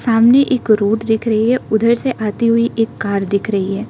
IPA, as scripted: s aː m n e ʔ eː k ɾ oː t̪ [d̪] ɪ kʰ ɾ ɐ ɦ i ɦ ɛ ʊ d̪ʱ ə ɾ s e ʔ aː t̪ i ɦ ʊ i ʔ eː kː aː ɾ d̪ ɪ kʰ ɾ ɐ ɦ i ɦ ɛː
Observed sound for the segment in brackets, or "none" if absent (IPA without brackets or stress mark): d̪